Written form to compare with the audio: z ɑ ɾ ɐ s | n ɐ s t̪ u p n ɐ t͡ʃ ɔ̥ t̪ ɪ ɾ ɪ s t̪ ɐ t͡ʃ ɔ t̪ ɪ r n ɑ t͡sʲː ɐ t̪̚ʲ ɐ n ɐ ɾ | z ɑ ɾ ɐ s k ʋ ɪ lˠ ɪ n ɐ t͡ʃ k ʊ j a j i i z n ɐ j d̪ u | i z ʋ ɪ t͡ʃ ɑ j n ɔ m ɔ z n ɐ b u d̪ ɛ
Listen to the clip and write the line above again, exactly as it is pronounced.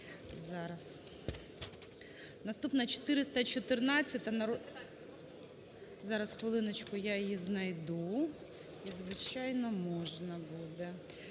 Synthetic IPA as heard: z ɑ ɾ ɐ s | n ɐ s t̪ u p n ɐ t͡ʃ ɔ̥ t̪ ɪ ɾ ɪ s t̪ ɐ t͡ʃ ɔ t̪ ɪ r n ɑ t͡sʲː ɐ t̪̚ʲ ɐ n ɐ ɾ | z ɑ ɾ ɐ s x ʋ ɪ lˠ ɪ n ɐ t͡ʃ k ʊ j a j j i z n ɐ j d̪ u | i z ʋ ɪ t͡ʃ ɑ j n ɔ m ɔ ʒ n ɐ b u d̪ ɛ